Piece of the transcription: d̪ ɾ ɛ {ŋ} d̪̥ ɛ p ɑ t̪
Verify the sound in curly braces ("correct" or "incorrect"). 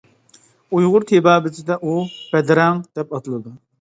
correct